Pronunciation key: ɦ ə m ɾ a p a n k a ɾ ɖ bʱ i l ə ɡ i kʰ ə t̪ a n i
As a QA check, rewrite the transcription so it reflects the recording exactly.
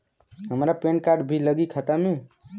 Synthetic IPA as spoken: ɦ ə m ɾ a p e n k a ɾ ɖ bʱ i l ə ɡ i kʰ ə t̪ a m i